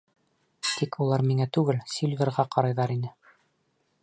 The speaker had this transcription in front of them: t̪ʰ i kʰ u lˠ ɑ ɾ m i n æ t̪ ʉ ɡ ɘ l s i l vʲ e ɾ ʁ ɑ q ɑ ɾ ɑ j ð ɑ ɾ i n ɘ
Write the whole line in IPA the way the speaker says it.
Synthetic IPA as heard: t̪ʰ i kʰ u lˠ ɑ ɾ m i ŋ æ t̪ ʉ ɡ ɘ l s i l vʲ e ɾ ʁ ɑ q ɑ ɾ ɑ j ð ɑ ɾ i n ɘ